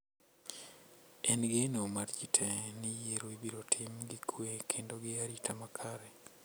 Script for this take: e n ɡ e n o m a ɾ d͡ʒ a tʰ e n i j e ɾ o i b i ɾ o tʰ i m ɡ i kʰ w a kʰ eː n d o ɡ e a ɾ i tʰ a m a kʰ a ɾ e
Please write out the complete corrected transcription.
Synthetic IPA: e n ɡ e n o m a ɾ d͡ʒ i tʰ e n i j e ɾ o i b i ɾ o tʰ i m ɡ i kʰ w e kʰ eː n d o ɡ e a ɾ i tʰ a m a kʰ a ɾ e